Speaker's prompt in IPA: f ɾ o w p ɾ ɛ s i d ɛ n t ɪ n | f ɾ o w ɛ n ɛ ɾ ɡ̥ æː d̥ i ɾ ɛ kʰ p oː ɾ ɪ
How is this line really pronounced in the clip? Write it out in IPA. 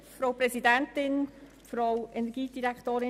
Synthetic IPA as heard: f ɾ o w p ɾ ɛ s i d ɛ n t ɪ n | f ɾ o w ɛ n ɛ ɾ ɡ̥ iː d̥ i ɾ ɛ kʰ t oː ɾ ɪ